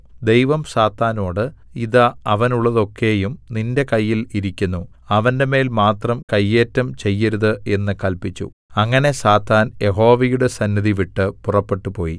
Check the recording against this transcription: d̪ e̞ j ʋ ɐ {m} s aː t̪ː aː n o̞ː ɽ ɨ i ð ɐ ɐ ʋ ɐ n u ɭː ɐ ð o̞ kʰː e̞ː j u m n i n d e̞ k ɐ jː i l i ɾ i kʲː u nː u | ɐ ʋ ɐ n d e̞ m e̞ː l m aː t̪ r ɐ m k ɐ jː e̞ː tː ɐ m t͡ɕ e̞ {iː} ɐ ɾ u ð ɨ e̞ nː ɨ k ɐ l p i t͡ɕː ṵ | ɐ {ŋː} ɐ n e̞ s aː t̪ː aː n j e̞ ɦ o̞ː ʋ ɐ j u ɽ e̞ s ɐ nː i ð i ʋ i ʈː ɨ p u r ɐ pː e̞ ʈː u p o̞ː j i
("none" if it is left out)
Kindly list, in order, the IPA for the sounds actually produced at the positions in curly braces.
m, jː, ŋː

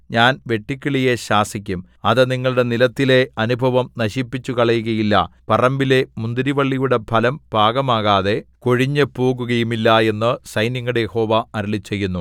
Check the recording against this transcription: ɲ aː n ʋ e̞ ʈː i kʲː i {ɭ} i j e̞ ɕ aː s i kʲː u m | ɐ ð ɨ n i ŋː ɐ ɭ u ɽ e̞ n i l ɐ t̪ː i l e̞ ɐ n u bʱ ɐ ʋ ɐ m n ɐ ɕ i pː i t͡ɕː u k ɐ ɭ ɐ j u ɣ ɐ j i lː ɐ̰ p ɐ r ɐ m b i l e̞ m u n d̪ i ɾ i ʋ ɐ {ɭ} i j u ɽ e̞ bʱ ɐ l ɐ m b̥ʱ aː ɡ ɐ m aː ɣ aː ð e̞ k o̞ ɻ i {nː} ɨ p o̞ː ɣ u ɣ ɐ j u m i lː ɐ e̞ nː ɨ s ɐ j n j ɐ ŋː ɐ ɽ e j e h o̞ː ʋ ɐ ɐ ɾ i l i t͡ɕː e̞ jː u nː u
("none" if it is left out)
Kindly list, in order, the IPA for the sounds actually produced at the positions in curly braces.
ɭ, ɭː, ɲː

